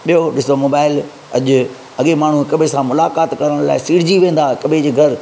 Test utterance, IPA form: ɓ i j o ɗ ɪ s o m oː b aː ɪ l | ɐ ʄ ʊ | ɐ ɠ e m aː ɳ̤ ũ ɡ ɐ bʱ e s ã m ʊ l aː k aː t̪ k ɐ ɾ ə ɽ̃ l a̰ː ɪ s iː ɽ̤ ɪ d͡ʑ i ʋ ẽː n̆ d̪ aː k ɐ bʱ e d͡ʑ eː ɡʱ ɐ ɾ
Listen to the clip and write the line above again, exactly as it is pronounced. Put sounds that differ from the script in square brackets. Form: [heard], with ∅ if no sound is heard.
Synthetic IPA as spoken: ɓ i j o ɗ ɪ s o m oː b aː ɪ l | ɐ ʄ ʊ | ɐ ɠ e m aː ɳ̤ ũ [k] ɐ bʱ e s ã m ʊ l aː k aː t̪ k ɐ ɾ ə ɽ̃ l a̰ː ɪ s iː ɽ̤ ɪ d͡ʑ i ʋ ẽː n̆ d̪ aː k ɐ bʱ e d͡ʑ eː ɡʱ ɐ ɾ